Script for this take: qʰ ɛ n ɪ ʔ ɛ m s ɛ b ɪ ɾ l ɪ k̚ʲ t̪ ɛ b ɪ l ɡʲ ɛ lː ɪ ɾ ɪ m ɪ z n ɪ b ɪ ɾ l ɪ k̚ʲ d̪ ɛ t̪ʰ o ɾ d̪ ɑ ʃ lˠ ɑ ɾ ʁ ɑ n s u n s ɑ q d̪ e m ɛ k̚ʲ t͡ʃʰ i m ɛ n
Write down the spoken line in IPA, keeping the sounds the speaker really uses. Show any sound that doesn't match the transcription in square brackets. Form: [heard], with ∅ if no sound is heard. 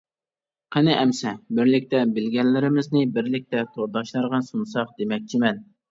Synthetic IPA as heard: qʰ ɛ n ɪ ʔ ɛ m s ɛ b ɪ ɾ l ɪ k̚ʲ t̪ ɛ b ɪ l ɡʲ ɛ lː ɪ ɾ ɪ m ɪ z n ɪ b ɪ ɾ l ɪ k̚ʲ [t̪] ɛ t̪ʰ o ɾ d̪ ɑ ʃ lˠ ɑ ɾ ʁ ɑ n s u n s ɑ q d̪ e m ɛ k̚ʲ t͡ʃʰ i m ɛ n